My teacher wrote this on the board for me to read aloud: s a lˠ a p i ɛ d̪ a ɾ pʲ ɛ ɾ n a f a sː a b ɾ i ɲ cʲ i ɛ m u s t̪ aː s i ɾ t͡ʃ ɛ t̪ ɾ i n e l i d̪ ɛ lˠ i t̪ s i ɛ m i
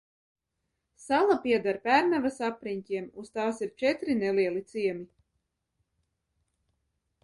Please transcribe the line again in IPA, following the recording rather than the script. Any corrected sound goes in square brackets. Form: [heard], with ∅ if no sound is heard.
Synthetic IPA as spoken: s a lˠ a p i ɛ d̪ a ɾ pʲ [æ] ɾ n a [v] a [s] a [p] ɾ i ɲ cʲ i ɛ m u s t̪ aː s i ɾ t͡ʃ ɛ t̪ ɾ i n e l i [∅] ɛ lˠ i t̪ s i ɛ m i